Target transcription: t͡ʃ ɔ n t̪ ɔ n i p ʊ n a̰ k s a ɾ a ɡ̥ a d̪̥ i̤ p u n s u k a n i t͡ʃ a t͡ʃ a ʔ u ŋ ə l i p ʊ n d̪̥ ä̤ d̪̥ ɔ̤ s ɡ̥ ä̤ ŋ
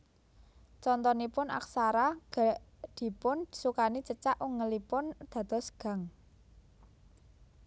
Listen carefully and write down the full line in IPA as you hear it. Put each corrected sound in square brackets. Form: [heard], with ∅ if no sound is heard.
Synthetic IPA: t͡ʃ ɔ n t̪ ɔ n i p ʊ n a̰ k s a ɾ a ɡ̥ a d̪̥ i̤ p [ʊ] n s u k a n i t͡ʃ [ə] t͡ʃ a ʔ u ŋ ə l i p ʊ n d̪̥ ä̤ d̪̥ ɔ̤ s ɡ̥ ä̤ ŋ

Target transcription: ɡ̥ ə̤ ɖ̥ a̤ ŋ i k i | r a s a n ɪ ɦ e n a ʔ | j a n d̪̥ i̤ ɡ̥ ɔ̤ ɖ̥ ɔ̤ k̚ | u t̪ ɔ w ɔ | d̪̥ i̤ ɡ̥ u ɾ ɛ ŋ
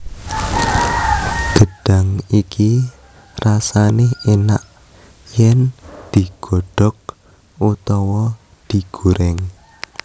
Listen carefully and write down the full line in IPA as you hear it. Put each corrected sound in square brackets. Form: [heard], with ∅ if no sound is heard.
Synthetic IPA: ɡ̥ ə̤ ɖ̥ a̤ ŋ i k i | r a s a n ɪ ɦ e n a ʔ | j [ɛ] n d̪̥ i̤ ɡ̥ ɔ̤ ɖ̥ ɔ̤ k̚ | u t̪ ɔ w ɔ | d̪̥ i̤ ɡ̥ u ɾ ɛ ŋ

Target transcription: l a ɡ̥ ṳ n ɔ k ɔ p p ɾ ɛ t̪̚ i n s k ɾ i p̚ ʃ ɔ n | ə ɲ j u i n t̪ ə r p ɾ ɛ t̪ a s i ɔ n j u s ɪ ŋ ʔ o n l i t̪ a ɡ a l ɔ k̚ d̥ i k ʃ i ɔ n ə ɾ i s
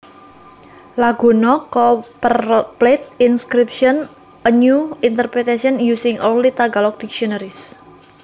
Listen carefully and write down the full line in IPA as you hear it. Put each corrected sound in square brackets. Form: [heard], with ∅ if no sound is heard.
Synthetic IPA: l a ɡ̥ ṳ n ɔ k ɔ p p [l] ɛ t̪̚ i n s k ɾ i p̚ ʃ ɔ n | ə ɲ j u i n t̪ ə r p ɾ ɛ t̪ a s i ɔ n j u s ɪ ŋ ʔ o n l i t̪ a ɡ a l ɔ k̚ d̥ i k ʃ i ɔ n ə ɾ i s

